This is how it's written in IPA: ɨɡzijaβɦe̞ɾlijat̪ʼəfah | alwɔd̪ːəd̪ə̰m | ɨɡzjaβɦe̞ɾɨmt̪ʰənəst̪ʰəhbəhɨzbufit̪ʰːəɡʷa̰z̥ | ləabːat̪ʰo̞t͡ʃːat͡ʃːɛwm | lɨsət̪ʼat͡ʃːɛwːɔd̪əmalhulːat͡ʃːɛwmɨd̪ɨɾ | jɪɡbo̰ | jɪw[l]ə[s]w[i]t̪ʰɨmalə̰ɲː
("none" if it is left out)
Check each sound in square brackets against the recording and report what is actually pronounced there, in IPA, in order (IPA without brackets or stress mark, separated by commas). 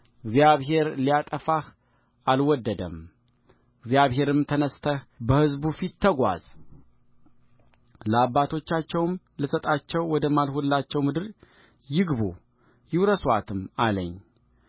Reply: ɾ, s, a